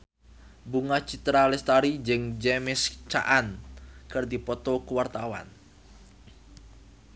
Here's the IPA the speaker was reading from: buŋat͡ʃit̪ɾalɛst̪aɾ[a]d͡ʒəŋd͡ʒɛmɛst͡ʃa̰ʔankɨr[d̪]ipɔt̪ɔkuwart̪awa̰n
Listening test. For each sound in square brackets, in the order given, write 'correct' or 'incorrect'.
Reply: incorrect: i, correct

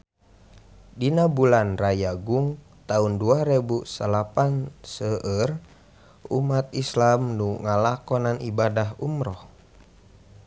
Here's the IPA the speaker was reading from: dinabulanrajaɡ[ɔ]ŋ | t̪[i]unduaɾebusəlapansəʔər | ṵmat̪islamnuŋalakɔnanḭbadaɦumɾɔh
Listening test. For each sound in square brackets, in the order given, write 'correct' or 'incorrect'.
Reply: incorrect: u, incorrect: a

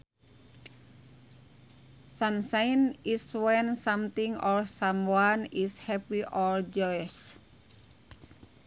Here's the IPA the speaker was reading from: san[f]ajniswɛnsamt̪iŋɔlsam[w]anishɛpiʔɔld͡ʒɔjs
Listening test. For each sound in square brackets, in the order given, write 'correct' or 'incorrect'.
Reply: incorrect: s, correct

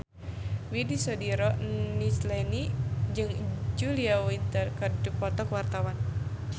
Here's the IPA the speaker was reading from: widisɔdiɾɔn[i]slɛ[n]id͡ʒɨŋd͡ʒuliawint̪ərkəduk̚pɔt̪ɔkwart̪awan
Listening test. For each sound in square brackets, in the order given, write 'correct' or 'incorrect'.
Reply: correct, correct

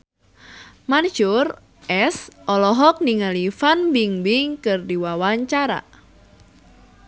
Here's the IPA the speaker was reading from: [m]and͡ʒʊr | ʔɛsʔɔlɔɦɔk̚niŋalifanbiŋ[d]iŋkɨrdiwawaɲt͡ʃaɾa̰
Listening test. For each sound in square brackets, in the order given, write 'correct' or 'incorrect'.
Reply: correct, incorrect: b

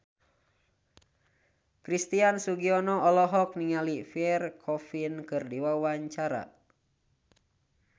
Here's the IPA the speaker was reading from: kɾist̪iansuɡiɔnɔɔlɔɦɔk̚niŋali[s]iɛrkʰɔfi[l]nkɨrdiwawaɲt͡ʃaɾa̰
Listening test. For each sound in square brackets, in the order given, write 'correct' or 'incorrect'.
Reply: incorrect: f, incorrect: none

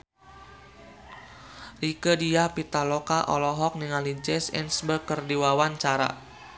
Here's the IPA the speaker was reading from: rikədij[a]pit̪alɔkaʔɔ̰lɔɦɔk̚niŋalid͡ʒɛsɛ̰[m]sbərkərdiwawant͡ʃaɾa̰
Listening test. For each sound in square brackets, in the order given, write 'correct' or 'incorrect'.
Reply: correct, incorrect: n

